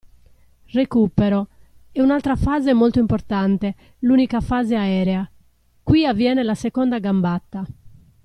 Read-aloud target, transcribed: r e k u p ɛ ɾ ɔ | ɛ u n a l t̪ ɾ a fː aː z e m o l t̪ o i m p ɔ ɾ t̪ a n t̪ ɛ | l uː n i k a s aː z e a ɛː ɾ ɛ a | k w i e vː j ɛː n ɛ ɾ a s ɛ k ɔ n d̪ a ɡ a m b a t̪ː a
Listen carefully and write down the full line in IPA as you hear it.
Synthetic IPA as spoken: r e k u p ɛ ɾ ɔ | ɛ u n a l t̪ ɾ a f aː z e m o l t̪ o i m p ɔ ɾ t̪ a n t̪ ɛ | l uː n i k a f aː z e a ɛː ɾ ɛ a | k w i a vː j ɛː n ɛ l a s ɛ k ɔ n d̪ a ɡ a m b a t̪ː a